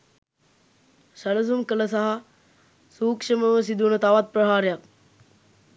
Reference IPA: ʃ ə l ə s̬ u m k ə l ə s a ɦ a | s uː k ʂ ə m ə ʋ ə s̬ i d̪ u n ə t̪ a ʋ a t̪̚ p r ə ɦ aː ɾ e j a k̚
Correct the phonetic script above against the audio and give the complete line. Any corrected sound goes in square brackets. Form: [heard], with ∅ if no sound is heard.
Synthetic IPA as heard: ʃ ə l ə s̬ u m k ə l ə s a ɦ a | s uː k ʂ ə m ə ʋ ə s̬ i d̪ u n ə t̪ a ʋ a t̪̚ p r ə ɦ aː ɾ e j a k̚